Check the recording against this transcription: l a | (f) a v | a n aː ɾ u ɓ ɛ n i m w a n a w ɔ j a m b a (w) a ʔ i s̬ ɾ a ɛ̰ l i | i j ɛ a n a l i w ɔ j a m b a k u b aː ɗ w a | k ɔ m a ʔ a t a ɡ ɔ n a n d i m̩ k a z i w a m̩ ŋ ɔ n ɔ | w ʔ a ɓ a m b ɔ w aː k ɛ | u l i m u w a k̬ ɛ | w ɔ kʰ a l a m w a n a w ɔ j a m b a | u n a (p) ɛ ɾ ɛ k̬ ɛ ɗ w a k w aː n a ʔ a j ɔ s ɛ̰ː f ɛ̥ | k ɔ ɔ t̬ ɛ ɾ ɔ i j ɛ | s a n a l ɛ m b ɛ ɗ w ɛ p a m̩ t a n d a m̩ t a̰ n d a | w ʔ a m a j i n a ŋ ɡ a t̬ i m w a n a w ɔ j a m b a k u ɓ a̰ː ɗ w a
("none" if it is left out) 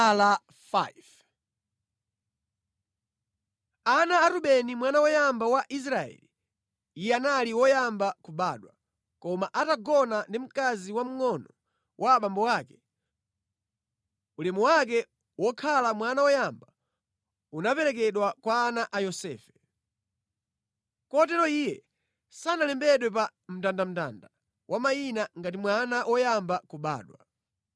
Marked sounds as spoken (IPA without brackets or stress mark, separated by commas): f, w, p